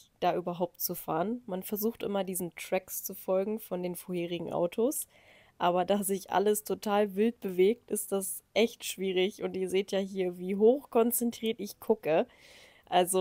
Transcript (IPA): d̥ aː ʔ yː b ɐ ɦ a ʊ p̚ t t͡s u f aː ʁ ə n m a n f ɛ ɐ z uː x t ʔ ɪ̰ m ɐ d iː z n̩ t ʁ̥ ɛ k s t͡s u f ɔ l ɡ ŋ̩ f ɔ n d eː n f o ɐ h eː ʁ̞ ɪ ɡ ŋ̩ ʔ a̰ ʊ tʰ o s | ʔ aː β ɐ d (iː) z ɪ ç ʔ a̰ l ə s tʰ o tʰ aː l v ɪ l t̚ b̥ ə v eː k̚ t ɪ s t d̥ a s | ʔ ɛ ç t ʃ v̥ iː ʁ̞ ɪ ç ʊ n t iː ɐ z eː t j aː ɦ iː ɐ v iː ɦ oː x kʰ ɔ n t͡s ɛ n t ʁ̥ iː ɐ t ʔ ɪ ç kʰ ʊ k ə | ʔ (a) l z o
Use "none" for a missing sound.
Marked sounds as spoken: aː, a

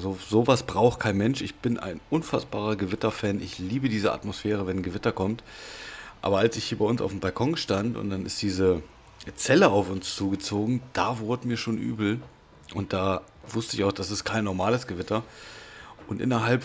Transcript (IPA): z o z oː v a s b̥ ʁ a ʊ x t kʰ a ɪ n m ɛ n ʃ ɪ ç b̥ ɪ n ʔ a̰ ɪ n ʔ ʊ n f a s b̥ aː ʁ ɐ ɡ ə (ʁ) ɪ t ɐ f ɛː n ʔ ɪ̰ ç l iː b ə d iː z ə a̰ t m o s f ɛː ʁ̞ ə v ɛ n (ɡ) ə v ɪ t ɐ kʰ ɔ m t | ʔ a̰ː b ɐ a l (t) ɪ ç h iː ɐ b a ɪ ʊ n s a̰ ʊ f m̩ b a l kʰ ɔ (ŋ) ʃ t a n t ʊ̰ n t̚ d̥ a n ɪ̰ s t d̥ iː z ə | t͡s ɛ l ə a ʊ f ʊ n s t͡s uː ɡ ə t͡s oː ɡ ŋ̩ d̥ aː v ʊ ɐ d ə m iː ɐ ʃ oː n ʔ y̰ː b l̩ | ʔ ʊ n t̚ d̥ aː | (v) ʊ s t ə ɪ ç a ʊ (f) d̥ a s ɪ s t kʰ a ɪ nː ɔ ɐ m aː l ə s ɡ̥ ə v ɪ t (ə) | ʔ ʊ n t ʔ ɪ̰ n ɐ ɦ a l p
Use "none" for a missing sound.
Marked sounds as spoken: v, ɡ, s, ŋ, v, x, ɐ

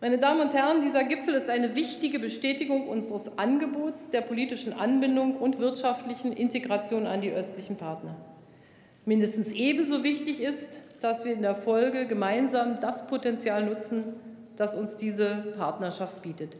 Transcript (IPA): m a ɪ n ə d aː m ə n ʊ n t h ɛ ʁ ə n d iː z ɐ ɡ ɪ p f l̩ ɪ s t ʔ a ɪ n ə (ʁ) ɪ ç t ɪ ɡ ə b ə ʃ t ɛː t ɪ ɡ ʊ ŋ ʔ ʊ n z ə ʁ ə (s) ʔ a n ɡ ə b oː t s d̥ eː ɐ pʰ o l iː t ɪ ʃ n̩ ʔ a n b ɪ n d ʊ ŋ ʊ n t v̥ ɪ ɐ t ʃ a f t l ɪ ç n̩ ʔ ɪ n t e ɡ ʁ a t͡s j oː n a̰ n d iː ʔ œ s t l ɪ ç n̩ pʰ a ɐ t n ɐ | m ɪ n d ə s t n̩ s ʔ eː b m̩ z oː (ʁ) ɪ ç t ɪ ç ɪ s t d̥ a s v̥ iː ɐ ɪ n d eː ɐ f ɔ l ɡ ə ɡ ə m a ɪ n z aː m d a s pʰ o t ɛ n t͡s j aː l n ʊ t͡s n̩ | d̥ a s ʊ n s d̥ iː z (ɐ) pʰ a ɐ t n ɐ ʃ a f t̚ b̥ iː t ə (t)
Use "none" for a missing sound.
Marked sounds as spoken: v, s, v, ə, t

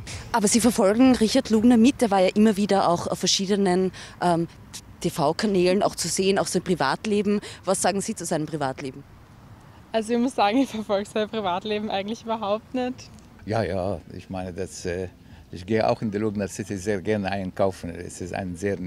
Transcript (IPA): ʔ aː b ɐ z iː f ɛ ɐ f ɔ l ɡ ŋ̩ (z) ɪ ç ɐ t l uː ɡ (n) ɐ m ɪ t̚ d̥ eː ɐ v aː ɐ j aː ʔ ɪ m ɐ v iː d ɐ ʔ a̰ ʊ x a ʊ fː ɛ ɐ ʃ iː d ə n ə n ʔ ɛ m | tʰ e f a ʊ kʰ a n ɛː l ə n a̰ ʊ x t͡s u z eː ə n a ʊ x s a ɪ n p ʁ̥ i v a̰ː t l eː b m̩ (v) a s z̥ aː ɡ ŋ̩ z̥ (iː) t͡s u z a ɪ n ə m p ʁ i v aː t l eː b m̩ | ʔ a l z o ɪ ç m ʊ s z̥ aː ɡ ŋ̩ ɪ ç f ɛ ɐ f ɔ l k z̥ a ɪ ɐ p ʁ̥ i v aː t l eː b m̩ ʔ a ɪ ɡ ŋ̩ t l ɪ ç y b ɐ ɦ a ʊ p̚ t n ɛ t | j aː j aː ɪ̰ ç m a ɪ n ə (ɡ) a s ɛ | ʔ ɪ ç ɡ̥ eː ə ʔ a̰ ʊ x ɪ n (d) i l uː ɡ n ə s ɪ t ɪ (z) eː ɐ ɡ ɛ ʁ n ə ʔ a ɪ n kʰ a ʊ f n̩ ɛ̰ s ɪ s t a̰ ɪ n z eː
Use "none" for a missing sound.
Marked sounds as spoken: ʁ, n, v, iː, d, d, z

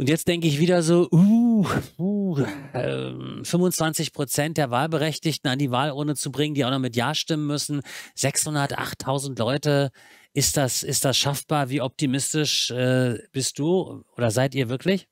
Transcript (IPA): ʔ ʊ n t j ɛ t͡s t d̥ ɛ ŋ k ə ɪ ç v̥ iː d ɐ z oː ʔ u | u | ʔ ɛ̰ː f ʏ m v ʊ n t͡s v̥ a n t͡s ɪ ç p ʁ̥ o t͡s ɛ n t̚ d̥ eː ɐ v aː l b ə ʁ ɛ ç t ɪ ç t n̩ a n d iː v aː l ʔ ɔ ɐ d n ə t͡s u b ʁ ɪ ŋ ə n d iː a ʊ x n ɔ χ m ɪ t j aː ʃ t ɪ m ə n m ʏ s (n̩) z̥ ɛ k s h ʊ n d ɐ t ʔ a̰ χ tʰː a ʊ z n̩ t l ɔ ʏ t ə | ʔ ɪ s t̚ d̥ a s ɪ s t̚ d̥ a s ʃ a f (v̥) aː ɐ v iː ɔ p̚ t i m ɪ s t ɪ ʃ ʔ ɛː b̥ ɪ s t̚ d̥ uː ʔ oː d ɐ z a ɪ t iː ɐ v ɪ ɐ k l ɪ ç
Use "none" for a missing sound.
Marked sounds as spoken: n̩, b̥

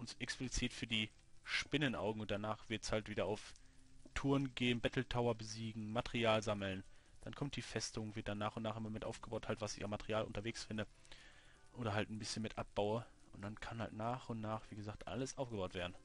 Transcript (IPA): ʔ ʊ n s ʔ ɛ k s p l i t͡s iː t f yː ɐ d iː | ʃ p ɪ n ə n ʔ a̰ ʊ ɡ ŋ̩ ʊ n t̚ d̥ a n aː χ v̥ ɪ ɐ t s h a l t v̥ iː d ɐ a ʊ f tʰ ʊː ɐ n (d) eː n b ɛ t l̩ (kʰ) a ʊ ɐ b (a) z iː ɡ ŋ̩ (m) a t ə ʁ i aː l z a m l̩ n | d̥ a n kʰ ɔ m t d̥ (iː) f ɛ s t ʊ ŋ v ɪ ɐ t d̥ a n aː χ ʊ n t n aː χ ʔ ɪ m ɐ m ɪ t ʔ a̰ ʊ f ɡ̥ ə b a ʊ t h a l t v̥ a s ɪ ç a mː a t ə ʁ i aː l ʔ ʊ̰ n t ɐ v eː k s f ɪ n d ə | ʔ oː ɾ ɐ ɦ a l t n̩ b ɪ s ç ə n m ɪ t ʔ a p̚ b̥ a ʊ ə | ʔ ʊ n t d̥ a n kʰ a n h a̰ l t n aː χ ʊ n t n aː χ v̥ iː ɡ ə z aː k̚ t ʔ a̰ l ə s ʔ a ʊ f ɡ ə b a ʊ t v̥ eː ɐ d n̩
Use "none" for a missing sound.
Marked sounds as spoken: ɡ, tʰ, ə, m, iː

